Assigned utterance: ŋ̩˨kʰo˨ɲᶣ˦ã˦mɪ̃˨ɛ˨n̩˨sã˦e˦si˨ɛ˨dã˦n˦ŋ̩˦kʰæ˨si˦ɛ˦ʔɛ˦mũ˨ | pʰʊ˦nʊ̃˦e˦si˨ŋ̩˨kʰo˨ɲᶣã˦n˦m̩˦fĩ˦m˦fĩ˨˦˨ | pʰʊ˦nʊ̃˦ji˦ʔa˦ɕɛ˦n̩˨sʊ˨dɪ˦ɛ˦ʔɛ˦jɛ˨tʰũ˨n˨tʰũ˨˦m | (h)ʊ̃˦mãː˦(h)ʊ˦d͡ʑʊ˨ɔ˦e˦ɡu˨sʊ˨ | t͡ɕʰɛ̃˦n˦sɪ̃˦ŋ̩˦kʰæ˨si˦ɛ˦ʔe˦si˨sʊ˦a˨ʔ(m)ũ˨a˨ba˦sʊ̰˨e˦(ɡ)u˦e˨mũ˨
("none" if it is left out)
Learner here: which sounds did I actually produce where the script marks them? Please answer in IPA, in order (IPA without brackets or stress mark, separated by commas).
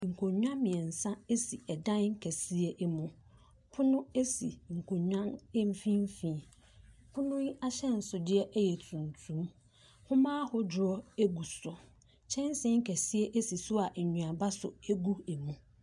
h, h, ɲ, ɡ